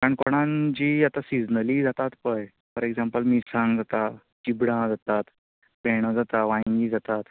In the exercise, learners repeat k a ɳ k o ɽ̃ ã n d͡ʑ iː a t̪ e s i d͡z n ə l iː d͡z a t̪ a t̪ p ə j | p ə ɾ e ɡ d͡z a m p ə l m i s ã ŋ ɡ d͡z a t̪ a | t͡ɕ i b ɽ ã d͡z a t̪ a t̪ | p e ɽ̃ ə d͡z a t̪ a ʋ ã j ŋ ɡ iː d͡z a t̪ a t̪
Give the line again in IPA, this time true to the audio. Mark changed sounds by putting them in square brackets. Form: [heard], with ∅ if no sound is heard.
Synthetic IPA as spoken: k a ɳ k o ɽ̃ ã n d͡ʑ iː a t̪ [a] s i d͡z n ə l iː d͡z a t̪ a t̪ p ə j | p ə ɾ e ɡ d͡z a m p ə l m i s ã ŋ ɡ d͡z a t̪ a | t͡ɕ i b ɽ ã d͡z a t̪ a t̪ | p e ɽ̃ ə d͡z a t̪ a ʋ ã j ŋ ɡ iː d͡z a t̪ a t̪

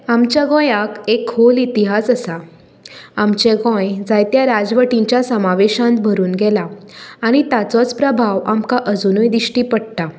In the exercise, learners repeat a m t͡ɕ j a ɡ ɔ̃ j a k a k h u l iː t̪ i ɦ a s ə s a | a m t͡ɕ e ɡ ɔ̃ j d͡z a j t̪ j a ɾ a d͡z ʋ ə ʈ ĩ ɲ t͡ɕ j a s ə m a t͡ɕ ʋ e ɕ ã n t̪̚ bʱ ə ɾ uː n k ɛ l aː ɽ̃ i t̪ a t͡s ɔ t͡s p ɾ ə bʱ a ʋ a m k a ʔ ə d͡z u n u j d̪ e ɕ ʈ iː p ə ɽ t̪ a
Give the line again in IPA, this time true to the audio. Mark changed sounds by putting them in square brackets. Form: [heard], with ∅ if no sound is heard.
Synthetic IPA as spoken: a m t͡ɕ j a ɡ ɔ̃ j a k [e] k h [o] l [i] t̪ i ɦ a s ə s a | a m t͡ɕ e ɡ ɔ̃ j d͡z a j t̪ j a ɾ a d͡z ʋ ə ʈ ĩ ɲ t͡ɕ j a s ə m a [∅] ʋ e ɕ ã n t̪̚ bʱ ə ɾ uː n [ɡ] ɛ l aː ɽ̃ i t̪ a t͡s ɔ t͡s p ɾ ə bʱ a ʋ a m k a ʔ ə d͡z u n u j d̪ [i] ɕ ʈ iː p ə ɽ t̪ a

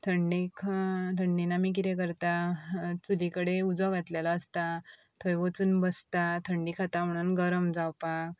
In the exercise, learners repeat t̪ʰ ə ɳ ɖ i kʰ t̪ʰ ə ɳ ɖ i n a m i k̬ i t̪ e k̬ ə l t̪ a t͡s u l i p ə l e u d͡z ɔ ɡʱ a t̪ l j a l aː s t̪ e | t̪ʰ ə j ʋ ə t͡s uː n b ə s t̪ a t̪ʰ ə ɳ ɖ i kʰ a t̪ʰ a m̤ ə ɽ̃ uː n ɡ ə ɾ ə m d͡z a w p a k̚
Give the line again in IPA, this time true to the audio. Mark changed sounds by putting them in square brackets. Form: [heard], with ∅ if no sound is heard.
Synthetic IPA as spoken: t̪ʰ ə ɳ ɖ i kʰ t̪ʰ ə ɳ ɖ i n a m i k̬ i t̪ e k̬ ə [ɾ] t̪ a t͡s u l i [k] ə [ɽ] e u d͡z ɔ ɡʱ a t̪ l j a l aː s t̪ [a] | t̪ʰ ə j ʋ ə t͡s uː n b ə s t̪ a t̪ʰ ə ɳ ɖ i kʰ a [t̪] a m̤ ə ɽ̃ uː n ɡ ə ɾ ə m d͡z a w p a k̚

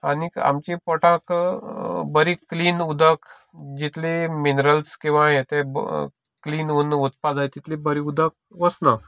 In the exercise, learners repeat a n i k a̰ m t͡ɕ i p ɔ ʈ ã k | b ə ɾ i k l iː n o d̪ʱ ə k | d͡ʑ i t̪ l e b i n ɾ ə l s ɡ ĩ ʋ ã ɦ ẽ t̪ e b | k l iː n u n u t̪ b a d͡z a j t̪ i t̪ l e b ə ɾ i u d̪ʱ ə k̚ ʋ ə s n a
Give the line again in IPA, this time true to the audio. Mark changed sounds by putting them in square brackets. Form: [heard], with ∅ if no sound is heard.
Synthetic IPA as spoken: a n i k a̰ m t͡ɕ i p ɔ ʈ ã k | b ə ɾ i k l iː n [u] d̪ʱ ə k | d͡ʑ i t̪ l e [m] i n ɾ ə l s [k] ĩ ʋ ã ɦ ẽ t̪ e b | k l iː n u n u t̪ [p] a d͡z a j t̪ i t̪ l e b ə ɾ i u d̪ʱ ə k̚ ʋ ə s n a

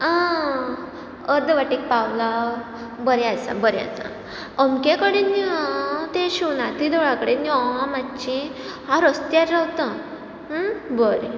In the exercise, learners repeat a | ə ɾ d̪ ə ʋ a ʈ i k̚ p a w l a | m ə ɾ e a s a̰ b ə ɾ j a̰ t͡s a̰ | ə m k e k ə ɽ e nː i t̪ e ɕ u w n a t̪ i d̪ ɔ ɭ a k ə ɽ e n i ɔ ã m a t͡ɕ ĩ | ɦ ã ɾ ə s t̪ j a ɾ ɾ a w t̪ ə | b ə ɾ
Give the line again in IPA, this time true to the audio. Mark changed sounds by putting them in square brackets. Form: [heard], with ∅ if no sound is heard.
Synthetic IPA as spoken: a | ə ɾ d̪ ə ʋ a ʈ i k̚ p a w l a | [b] ə ɾ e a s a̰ b ə ɾ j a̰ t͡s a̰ | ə m k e k ə ɽ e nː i t̪ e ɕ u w n a t̪ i d̪ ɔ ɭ a k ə ɽ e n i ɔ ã m a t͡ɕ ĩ | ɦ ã ɾ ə s t̪ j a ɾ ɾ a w t̪ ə | b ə ɾ

